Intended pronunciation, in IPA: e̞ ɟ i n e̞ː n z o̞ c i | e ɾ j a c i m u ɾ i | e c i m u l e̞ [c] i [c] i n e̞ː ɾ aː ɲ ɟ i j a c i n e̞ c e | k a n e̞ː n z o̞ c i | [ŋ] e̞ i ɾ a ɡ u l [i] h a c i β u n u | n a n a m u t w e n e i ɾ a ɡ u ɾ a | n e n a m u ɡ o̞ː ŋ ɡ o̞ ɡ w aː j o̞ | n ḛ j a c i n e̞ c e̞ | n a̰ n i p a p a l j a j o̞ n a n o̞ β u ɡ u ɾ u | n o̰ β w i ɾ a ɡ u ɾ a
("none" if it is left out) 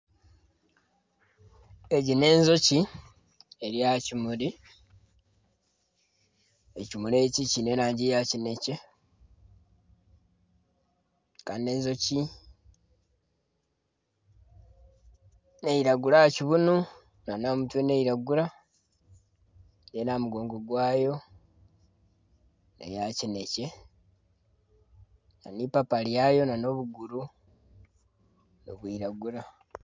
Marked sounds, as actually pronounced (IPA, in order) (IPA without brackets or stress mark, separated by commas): c, c, n, a